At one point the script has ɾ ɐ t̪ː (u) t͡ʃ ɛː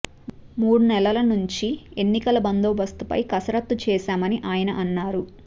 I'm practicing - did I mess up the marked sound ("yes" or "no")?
no